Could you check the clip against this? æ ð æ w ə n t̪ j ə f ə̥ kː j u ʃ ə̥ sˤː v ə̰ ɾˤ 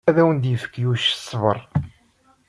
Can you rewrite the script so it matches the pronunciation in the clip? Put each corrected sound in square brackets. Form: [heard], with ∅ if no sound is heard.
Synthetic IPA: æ ð æ w ə n [d̪] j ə f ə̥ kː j u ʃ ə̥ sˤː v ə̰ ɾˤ